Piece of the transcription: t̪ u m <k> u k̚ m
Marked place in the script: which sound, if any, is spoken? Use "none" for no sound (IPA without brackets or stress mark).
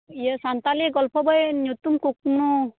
k